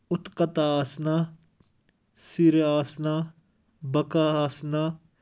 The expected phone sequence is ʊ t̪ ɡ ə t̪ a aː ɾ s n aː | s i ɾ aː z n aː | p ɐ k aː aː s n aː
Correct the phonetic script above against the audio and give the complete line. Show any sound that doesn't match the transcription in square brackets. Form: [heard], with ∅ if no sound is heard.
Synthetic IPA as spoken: ʊ t̪ [k] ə t̪ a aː [∅] s n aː | s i ɾ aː [s] n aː | [b] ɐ k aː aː s n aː